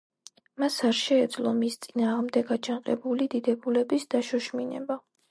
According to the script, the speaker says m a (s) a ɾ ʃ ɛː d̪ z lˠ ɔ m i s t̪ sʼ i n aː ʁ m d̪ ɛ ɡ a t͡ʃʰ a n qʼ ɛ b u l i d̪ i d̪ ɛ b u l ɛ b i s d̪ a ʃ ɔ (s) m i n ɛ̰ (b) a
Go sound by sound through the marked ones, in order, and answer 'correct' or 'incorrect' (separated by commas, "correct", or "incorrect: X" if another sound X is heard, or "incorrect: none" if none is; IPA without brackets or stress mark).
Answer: correct, incorrect: ʃ, correct